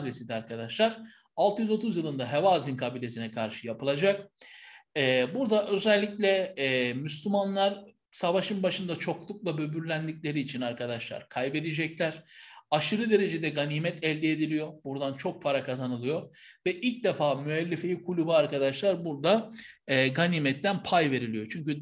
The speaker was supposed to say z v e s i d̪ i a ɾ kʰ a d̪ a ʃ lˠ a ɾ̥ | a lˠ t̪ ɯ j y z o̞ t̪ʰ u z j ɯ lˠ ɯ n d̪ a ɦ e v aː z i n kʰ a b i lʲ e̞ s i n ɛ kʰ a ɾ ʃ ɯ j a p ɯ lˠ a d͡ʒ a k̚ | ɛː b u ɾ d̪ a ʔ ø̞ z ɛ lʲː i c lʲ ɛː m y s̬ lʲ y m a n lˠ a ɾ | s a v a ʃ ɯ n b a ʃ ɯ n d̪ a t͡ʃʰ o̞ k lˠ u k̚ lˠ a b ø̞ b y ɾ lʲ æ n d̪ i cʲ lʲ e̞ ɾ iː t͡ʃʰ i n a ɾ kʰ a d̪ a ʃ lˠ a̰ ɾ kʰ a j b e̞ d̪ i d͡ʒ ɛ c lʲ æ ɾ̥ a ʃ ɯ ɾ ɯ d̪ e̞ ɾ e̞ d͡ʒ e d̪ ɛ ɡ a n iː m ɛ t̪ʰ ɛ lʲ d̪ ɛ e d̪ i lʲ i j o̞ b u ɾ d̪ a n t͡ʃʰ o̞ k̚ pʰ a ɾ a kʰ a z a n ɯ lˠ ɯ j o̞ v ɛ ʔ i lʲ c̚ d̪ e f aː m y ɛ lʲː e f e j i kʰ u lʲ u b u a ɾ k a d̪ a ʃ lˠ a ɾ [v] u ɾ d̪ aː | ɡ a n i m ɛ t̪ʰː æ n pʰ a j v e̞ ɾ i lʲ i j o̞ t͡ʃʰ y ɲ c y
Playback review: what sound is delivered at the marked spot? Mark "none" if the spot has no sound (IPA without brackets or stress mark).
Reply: b